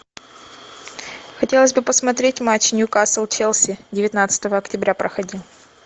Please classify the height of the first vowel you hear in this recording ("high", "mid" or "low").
low